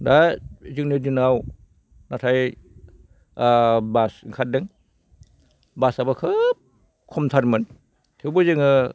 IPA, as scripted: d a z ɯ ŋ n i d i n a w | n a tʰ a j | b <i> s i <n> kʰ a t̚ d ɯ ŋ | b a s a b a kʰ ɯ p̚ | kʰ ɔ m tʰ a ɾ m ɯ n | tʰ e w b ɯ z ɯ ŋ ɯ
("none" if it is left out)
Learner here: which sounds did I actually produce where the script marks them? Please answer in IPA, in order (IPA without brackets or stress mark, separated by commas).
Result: a, ŋ